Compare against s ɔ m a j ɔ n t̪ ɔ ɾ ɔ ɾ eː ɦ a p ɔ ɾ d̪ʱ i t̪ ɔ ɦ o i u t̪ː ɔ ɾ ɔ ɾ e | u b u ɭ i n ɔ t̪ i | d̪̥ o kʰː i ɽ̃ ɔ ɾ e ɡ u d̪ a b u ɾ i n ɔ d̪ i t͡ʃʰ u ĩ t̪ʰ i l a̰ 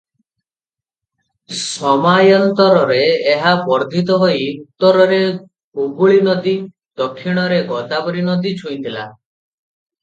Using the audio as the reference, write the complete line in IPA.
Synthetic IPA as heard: s ɔ m a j ɔ n t̪ ɔ ɾ ɔ ɾ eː ɦ a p ɔ ɾ d̪ʱ i t̪ ɔ ɦ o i u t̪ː ɔ ɾ ɔ ɾ e | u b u ɭ i n ɔ d̪ i | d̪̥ ɔ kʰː i ɽ̃ ɔ ɾ e ɡ ɔ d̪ a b ɔ ɾ i n ɔ d̪ i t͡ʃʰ u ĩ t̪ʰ i l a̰